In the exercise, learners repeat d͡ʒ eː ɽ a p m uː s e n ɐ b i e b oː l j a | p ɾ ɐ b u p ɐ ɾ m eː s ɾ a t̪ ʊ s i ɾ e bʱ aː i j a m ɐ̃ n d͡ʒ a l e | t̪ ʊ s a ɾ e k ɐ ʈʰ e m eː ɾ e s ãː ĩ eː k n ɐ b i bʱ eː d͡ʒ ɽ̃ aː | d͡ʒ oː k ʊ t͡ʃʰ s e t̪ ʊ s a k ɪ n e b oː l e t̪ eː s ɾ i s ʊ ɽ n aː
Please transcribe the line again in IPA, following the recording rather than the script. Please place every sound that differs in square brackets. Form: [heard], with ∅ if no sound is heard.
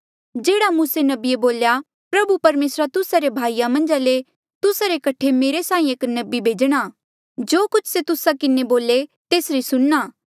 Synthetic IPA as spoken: d͡ʒ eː ɽ a [∅] m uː s e n ɐ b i e b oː l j a | p ɾ ɐ b u p ɐ ɾ m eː s ɾ a t̪ ʊ s [a] ɾ e bʱ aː i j a m ɐ̃ n d͡ʒ a l e | t̪ ʊ s a ɾ e k ɐ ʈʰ e m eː ɾ e s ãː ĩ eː k n ɐ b i bʱ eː d͡ʒ ɽ̃ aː | d͡ʒ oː k ʊ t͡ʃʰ s e t̪ ʊ s a k ɪ n e b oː l e t̪ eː s ɾ i s ʊ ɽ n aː